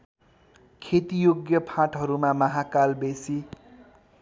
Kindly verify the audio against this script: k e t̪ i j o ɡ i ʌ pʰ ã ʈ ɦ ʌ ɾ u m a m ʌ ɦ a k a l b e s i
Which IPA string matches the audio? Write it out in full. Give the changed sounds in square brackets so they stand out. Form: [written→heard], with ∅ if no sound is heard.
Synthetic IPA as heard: [k→kʰ] e t̪ i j o ɡ [i→j] ʌ pʰ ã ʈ ɦ ʌ ɾ u m a m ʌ ɦ a k a l b e s i